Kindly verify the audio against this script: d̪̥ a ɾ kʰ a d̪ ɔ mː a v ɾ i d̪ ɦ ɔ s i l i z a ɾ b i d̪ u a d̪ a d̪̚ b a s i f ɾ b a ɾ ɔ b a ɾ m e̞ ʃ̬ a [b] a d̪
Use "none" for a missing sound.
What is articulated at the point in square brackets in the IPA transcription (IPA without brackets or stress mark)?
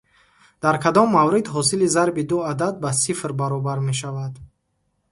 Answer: v